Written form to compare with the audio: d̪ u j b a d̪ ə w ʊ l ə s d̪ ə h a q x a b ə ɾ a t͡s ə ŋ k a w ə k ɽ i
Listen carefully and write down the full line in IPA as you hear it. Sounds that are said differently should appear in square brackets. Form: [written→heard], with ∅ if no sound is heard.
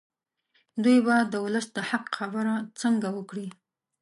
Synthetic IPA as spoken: d̪ u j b a d̪ ə w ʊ l ə s d̪ ə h a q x a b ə ɾ a t͡s ə ŋ [k→ɡ] a w ə k ɽ i